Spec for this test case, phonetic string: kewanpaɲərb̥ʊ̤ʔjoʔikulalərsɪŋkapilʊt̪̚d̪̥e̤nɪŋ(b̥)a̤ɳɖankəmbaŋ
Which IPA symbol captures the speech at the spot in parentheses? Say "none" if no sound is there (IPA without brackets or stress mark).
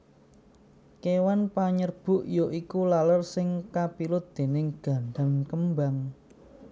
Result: ɡ̥